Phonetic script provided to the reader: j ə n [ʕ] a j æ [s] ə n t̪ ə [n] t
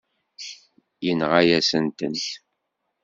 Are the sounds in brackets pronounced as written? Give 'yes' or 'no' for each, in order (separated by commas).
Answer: no, yes, yes